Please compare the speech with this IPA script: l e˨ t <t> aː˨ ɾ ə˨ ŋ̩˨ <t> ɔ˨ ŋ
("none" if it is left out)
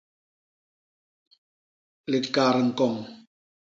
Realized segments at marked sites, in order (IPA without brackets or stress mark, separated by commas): k, k